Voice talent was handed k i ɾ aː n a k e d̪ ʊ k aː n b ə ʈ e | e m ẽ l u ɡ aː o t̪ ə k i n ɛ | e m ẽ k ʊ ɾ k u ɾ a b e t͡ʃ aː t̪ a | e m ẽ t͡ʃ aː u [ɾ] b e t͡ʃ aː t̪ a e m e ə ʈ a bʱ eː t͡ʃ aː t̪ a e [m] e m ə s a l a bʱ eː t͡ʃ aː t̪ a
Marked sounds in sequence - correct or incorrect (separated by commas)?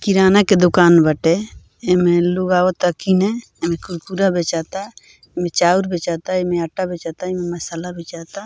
correct, correct